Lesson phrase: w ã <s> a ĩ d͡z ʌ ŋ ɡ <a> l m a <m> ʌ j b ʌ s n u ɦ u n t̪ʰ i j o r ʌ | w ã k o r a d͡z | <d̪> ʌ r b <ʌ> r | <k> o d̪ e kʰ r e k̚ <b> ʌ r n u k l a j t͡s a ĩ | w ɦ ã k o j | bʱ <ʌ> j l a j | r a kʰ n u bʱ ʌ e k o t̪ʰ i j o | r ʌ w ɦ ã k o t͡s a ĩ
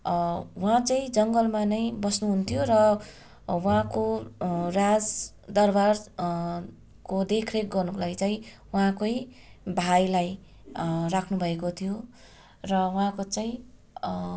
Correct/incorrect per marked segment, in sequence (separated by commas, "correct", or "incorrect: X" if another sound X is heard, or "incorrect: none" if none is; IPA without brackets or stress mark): incorrect: t͡s, incorrect: ʌ, incorrect: n, correct, incorrect: a, correct, incorrect: ɡ, incorrect: a